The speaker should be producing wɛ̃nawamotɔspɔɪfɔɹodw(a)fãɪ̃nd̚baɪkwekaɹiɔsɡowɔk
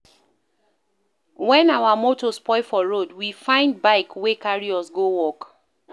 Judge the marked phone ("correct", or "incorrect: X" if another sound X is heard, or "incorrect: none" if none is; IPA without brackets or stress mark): incorrect: i